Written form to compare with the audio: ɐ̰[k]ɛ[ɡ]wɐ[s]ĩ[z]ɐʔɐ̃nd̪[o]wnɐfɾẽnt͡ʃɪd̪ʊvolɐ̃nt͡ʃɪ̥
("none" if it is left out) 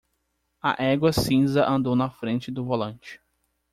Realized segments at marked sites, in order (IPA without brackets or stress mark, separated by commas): ʔ, ɡ, s, z, o